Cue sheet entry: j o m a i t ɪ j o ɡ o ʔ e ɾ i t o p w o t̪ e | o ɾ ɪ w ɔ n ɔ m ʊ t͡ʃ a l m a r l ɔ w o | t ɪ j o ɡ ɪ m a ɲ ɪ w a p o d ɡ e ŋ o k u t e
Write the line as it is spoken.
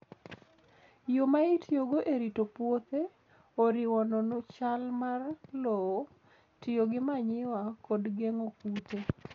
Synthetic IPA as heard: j o m a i t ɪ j o ɡ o ʔ e ɾ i t o p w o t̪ e | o ɾ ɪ w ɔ n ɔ n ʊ t͡ʃ a l m a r l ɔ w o | t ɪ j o ɡ ɪ m a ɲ ɪ w a k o d ɡ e ŋ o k u t e